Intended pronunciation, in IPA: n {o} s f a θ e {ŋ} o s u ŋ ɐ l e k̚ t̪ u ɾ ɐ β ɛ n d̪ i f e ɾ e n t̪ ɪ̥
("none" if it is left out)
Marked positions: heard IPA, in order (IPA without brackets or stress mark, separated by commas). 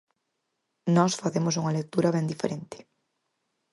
ɔ, m